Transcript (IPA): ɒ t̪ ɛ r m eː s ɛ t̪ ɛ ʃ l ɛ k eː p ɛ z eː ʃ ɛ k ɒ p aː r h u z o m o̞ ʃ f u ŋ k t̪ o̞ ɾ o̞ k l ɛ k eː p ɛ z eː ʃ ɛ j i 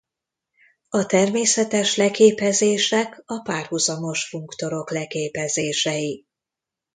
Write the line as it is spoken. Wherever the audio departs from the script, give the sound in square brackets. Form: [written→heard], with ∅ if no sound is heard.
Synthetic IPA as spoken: ɒ t̪ ɛ r m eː s ɛ t̪ ɛ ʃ l ɛ k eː p ɛ z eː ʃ ɛ k ɒ p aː r h u z [o→ɒ] m o̞ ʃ f u ŋ k t̪ o̞ ɾ o̞ k l ɛ k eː p ɛ z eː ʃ ɛ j i